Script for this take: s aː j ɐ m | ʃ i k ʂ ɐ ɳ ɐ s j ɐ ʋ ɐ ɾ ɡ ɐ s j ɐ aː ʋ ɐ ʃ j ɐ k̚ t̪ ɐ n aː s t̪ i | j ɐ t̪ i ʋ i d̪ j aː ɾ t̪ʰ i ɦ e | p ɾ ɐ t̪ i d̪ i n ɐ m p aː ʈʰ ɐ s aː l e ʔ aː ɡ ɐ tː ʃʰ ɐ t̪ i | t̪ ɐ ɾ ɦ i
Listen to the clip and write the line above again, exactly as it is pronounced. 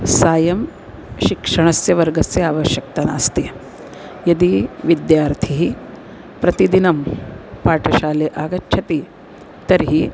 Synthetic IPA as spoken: s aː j ɐ m | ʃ i k ʂ ɐ ɳ ɐ s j ɐ ʋ ɐ ɾ ɡ ɐ s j ɐ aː ʋ ɐ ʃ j ɐ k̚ t̪ ɐ n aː s t̪ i | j ɐ d̪ i ʋ i d̪ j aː ɾ t̪ʰ i ɦ i | p ɾ ɐ t̪ i d̪ i n ɐ m p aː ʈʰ ɐ ʃ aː l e ʔ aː ɡ ɐ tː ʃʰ ɐ t̪ i | t̪ ɐ ɾ ɦ i